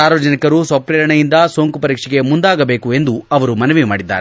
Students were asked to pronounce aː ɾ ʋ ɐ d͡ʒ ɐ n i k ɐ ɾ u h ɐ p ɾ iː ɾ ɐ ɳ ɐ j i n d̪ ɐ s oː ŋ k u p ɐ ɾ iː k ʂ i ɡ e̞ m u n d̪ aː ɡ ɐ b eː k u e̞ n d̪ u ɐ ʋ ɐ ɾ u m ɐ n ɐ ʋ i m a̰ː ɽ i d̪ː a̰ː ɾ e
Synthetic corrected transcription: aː ɾ ʋ ɐ d͡ʒ ɐ n i k ɐ ɾ u s ɐ p ɾ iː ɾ ɐ ɳ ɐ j i n d̪ ɐ s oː ŋ k u p ɐ ɾ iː k ʂ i ɡ e̞ m u n d̪ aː ɡ ɐ b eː k u e̞ n d̪ u ɐ ʋ ɐ ɾ u m ɐ n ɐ ʋ i m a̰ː ɽ i d̪ː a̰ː ɾ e